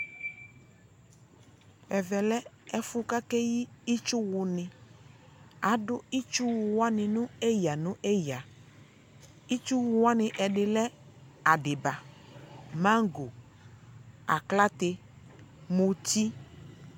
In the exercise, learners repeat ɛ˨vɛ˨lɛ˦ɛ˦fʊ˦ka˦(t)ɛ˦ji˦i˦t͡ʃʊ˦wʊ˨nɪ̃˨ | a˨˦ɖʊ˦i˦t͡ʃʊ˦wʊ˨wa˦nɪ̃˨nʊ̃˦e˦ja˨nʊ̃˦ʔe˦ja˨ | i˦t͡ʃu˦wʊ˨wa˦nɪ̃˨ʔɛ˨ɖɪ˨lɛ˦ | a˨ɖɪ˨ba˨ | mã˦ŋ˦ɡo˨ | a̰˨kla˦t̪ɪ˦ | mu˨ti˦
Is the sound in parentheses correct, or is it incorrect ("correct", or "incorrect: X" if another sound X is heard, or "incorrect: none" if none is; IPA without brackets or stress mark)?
incorrect: k